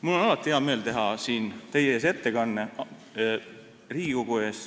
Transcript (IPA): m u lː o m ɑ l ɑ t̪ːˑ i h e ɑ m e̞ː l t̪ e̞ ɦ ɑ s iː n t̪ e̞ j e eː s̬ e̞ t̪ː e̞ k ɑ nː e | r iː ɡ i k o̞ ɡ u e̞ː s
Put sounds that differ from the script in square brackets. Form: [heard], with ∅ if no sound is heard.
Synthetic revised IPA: m u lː o [n] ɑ l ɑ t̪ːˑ i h e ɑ m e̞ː l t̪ e̞ ɦ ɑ s iː n t̪ e̞ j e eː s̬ e̞ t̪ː e̞ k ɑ nː e | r iː ɡ i k o̞ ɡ u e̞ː s